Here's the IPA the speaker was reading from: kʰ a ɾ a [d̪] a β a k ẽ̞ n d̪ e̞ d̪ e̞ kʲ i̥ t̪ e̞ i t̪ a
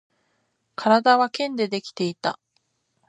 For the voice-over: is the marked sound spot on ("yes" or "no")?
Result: yes